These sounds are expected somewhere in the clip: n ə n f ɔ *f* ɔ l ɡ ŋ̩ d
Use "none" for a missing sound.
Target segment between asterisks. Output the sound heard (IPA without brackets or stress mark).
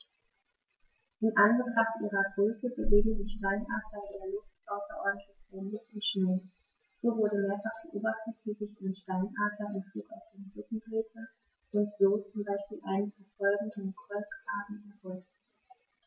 f